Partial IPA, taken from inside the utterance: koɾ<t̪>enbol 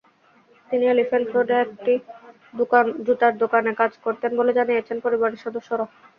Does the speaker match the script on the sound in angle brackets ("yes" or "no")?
yes